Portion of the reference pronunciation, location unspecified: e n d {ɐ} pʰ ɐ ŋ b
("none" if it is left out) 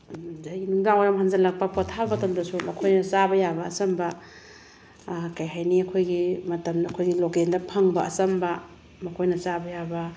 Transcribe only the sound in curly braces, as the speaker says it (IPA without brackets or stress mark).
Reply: ɐ